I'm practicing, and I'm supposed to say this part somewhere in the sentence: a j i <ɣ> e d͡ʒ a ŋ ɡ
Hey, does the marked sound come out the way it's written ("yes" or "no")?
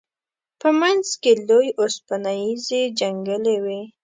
no